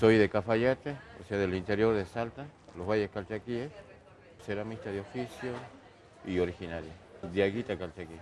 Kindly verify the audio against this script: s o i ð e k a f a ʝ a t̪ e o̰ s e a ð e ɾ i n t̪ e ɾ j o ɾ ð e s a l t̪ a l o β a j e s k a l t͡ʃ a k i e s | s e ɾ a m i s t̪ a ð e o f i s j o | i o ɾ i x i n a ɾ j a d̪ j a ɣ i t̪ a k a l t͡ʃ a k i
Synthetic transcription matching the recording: s o j ð e k a f a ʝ a t̪ e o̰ s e a ð e l i n t̪ e ɾ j o ɾ ð e s a l t̪ a l o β a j e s k a l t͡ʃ a k i e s | s e ɾ a m i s t̪ a ð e o f i s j o | i o ɾ i x i n a ɾ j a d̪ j a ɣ i t̪ a k a l t͡ʃ a k i